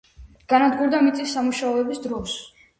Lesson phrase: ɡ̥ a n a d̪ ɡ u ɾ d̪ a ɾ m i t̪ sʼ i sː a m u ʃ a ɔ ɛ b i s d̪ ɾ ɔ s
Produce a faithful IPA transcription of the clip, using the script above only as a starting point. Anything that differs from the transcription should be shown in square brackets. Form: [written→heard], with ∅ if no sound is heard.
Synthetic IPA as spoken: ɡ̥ a n a d̪ ɡ u ɾ d̪ a [ɾ→∅] m i t̪ sʼ i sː a m u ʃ a ɔ ɛ b i s d̪ ɾ ɔ s